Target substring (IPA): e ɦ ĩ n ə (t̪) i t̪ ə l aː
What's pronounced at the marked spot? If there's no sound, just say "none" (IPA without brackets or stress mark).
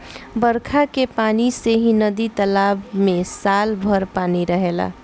d̪